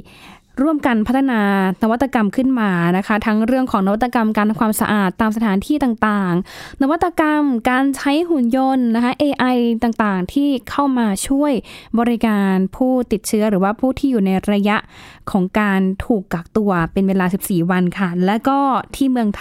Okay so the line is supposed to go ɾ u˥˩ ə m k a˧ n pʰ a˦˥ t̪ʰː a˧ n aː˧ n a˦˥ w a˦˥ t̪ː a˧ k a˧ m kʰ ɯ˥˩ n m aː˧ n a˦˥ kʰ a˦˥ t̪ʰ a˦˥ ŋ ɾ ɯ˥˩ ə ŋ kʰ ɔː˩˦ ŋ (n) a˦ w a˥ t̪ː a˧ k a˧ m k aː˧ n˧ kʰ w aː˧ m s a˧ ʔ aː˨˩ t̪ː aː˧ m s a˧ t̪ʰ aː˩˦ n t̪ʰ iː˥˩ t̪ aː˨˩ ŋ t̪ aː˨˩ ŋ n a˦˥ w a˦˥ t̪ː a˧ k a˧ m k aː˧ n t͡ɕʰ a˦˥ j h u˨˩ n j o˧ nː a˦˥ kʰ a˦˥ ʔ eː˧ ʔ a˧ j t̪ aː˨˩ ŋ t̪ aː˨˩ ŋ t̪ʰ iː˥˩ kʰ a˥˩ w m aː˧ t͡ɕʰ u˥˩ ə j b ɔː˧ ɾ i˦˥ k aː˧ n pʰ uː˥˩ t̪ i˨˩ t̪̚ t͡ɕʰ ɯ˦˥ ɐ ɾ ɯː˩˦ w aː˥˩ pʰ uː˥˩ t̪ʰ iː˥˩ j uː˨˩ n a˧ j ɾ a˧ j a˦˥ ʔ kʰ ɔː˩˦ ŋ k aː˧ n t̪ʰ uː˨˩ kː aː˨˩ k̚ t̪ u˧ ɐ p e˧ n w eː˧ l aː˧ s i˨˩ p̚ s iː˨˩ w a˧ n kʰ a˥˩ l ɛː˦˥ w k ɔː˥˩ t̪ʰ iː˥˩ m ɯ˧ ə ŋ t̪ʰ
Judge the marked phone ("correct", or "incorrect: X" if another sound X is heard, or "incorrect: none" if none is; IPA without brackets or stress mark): correct